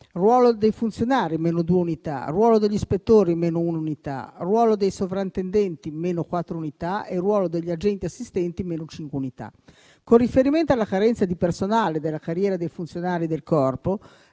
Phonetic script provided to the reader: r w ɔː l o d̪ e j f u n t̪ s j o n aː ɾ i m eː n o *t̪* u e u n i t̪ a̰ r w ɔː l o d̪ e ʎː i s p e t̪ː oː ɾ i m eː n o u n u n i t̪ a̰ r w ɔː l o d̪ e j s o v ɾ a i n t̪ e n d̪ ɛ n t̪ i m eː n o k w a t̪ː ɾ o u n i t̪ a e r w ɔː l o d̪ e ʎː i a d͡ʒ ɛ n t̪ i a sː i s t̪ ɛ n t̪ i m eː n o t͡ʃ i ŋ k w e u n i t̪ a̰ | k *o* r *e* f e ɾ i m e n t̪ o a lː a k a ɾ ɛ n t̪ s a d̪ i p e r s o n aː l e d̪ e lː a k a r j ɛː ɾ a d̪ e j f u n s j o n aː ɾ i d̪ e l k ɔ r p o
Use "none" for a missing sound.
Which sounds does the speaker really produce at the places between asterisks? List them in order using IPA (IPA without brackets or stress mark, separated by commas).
d̪, o, i